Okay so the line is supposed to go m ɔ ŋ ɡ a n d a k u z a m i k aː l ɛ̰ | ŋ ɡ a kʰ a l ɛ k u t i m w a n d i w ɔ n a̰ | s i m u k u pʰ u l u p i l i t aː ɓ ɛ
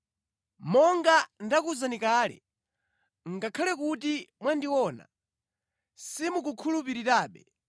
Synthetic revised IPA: m ɔ ŋ ɡ a n d a k u z a n i k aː l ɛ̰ | ŋ ɡ a kʰ a l ɛ k u t i m w a n d i w ɔ n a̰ | s i m u k u kʰ u l u p i ɾ i t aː ɓ ɛ